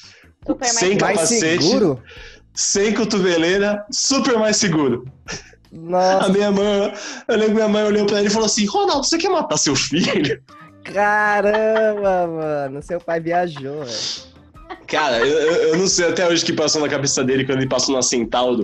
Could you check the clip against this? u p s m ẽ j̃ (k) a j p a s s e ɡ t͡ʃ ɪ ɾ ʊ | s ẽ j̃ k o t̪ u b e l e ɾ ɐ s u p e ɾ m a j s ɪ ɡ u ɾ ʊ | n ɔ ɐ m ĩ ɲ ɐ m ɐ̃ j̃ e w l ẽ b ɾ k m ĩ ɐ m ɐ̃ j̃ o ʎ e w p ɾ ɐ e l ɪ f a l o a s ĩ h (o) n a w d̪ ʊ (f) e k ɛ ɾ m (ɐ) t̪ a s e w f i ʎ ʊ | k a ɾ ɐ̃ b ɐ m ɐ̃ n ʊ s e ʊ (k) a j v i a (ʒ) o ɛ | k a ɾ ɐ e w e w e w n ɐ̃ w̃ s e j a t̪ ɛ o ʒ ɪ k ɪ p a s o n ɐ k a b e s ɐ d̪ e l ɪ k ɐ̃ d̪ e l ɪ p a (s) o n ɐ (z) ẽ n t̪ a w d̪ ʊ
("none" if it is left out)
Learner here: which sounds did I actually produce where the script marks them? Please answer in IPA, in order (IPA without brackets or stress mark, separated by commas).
k, o, s, a, p, ʒ, s, s